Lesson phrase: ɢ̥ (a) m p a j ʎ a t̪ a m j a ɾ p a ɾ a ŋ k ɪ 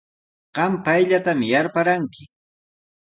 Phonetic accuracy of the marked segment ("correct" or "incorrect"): incorrect